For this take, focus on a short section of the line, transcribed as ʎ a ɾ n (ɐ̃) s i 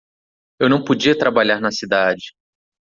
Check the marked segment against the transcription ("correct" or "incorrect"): incorrect